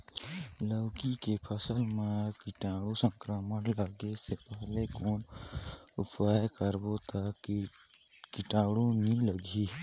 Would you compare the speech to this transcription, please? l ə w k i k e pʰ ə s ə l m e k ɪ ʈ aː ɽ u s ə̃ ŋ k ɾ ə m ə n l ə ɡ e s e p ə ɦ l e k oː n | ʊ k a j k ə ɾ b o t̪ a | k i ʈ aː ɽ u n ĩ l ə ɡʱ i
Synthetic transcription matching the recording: l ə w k i k e pʰ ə s ə l m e k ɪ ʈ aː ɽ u s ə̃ ŋ k ɾ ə m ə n l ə ɡ e s e p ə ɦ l e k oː n | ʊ p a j k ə ɾ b o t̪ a | k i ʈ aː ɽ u n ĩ l ə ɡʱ i